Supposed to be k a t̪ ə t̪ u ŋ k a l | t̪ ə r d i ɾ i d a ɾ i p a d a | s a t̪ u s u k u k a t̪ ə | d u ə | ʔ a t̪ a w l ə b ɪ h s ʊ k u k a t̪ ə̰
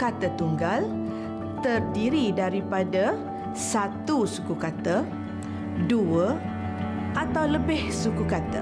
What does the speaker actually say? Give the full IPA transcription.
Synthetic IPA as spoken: k a t̪ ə t̪ u ŋ ɡ a l | t̪ ə r d i ɾ i d a ɾ i p a d a | s a t̪ u s u k u k a t̪ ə | d u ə | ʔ a t̪ a w l ə b ɪ h s u k u k a t̪ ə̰